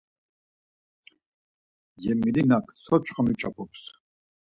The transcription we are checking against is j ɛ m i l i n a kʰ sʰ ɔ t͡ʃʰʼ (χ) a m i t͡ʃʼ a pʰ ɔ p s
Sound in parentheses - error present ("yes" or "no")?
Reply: no